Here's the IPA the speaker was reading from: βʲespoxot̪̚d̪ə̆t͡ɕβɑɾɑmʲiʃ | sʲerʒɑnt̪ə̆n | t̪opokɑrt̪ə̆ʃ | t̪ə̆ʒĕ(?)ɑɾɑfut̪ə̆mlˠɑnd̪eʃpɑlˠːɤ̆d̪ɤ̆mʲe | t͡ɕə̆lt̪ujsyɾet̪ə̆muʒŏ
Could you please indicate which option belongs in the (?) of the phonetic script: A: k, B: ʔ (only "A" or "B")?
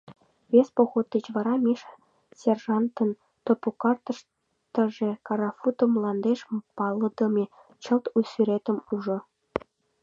A